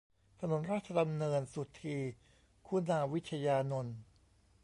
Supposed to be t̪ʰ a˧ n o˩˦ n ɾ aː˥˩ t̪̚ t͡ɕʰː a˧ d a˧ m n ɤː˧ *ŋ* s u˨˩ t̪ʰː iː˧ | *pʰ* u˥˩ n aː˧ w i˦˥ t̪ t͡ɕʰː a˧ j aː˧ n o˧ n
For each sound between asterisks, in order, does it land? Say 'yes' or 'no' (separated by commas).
no, no